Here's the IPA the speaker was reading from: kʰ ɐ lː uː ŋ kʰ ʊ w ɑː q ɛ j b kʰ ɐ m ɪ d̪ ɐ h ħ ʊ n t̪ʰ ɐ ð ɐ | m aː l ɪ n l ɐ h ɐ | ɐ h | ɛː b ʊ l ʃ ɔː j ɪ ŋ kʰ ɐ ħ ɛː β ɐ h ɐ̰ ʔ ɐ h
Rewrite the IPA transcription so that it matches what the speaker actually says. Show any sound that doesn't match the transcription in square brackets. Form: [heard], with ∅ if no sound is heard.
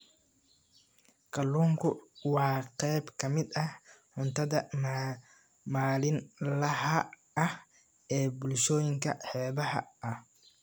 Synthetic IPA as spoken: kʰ ɐ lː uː ŋ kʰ ʊ w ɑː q ɛ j b kʰ ɐ m ɪ d̪ ɐ h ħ ʊ n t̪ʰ ɐ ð ɐ | m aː l ɪ n l ɐ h ɐ | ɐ h | ɛː b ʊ l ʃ ɔː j ɪ ŋ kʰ ɐ ħ ɛː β ɐ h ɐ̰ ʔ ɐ h